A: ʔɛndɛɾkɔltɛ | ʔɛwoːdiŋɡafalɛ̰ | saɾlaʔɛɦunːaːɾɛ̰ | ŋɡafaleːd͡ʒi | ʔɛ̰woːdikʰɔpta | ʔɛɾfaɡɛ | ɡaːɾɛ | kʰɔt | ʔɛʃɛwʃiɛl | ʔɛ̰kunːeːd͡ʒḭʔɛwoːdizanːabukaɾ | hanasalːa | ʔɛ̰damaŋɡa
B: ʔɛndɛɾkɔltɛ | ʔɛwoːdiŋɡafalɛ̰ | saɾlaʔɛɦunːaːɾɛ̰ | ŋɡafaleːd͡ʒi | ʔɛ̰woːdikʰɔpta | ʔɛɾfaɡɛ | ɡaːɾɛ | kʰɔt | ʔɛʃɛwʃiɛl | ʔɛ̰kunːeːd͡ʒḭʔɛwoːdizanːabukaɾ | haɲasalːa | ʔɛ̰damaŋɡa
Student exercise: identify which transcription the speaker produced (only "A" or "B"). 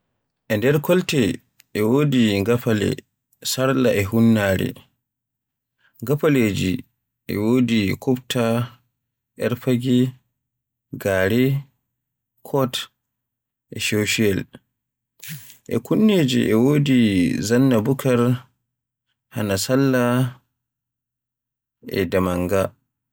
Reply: A